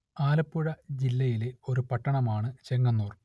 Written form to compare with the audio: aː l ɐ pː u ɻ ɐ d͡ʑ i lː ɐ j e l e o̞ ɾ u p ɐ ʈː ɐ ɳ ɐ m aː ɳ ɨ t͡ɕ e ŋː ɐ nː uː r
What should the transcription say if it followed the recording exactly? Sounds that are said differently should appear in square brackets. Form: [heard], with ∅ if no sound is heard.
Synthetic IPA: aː l ɐ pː u ɻ ɐ d͡ʑ i lː ɐ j [i] l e o̞ ɾ u p ɐ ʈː ɐ ɳ ɐ m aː ɳ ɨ t͡ɕ e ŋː ɐ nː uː r